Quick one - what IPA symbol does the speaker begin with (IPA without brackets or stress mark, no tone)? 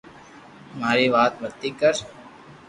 m